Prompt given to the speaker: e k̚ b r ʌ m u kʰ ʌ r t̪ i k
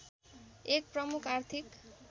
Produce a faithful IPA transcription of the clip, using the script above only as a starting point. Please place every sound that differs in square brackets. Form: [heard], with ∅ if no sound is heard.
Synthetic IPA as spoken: e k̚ [p] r ʌ m u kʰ [a] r [t̪ʰ] i k